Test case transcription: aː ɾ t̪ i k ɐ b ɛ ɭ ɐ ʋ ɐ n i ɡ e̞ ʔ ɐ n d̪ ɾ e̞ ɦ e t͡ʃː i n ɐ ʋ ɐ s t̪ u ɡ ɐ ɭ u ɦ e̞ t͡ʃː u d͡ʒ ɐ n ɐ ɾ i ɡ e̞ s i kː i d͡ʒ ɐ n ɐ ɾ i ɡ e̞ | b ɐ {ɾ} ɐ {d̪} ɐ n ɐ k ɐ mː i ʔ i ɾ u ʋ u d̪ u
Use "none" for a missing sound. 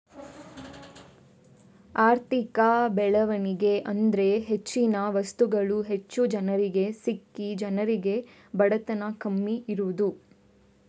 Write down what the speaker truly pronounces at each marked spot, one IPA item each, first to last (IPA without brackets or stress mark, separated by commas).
ɽ, t̪